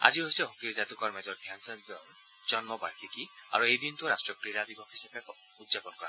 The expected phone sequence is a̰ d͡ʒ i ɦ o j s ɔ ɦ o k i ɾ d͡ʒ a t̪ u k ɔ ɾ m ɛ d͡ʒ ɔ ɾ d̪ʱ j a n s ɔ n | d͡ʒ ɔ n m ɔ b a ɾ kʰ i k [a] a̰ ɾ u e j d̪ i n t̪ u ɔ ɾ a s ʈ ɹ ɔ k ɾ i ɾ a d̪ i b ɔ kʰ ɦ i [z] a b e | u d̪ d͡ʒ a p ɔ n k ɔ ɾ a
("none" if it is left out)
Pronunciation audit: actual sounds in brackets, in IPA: i, s

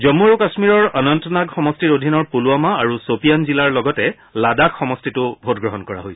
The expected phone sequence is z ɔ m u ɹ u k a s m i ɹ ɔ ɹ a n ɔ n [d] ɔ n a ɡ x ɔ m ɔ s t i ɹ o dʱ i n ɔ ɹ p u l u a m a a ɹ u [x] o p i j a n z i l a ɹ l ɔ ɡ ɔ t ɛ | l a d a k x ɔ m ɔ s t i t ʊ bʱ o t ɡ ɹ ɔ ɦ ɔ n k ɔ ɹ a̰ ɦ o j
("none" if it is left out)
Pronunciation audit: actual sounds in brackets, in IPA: t, s

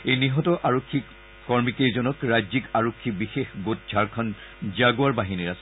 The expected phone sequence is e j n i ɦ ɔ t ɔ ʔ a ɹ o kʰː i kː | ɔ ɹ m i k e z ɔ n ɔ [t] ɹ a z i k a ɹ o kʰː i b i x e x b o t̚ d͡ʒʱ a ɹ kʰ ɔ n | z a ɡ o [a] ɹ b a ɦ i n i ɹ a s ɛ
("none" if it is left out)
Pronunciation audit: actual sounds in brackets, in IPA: k, a

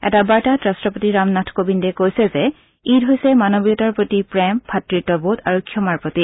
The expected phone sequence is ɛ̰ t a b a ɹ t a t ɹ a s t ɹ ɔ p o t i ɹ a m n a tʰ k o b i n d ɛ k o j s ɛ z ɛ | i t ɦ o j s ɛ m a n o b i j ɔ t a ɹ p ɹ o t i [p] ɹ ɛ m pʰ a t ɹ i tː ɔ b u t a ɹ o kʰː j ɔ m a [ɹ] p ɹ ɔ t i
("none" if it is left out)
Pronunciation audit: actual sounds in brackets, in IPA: p, ɹ

